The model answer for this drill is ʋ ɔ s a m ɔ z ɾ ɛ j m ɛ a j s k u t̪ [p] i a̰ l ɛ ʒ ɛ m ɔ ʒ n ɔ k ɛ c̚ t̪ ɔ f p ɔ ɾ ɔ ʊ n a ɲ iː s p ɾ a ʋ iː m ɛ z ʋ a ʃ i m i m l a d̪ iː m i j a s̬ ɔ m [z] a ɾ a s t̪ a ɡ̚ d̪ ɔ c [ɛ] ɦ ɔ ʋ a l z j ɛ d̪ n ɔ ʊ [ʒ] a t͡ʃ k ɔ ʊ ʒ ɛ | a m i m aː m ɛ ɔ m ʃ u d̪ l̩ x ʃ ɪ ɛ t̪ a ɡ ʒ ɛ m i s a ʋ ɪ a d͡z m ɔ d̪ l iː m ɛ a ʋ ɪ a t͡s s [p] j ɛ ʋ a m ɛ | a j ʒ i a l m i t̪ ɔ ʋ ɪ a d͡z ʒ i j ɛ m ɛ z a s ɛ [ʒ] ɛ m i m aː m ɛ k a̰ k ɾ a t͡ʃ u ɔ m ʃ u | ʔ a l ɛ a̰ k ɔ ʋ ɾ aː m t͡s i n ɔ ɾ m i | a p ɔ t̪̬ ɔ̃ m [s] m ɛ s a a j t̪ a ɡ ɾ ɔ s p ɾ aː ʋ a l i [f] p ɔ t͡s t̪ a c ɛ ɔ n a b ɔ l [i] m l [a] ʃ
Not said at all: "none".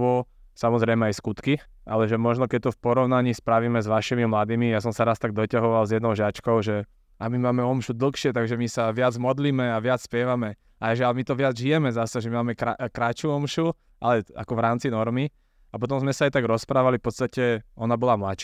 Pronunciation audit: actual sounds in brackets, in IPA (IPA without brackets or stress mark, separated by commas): k, s, a, ʒ, p, ʒ, z, f, a, a